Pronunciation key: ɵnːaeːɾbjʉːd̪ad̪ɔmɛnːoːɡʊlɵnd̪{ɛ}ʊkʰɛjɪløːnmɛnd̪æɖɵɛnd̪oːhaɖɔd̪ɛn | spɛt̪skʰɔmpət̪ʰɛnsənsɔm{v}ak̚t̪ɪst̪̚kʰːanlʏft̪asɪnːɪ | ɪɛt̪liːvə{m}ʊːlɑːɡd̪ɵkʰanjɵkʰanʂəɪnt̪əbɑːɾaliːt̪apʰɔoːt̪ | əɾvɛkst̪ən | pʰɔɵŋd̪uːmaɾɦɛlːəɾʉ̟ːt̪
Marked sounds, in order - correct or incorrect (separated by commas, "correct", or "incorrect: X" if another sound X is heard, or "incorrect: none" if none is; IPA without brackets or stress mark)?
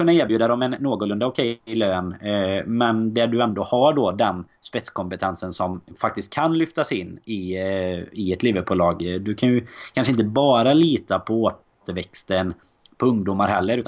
incorrect: a, incorrect: f, incorrect: b